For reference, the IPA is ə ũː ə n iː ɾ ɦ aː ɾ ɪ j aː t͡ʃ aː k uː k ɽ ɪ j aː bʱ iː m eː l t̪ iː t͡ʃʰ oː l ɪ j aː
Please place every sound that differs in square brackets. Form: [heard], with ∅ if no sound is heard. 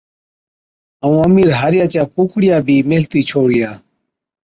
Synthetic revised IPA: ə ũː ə [m] iː ɾ ɦ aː ɾ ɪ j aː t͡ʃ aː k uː k ɽ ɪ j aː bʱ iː m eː l t̪ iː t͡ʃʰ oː [ɽ] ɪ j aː